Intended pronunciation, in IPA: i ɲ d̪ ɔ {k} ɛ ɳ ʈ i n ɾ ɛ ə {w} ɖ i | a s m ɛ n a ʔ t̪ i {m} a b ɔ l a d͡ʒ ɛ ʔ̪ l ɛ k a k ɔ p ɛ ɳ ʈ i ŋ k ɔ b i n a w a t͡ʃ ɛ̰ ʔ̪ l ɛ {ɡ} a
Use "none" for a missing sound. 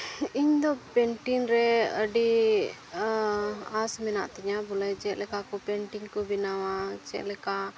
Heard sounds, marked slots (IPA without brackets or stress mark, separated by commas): p, none, ɲ, k